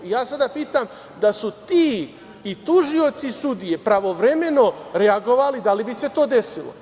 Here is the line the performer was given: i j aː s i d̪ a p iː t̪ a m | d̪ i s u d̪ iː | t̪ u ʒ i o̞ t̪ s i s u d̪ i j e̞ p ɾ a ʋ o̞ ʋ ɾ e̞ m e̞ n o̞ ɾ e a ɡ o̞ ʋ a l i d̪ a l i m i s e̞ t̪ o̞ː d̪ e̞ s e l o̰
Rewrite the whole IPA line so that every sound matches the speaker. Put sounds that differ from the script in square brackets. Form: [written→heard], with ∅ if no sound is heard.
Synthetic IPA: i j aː s [i→a] d̪ a p iː t̪ a m | d̪ [i→a] s u [d̪→t̪] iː | t̪ u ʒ i o̞ t̪ s i s u d̪ i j e̞ p ɾ a ʋ o̞ ʋ ɾ e̞ m e̞ n o̞ ɾ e a ɡ o̞ ʋ a l i d̪ a l i [m→b] i s e̞ t̪ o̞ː d̪ e̞ s [e→i] l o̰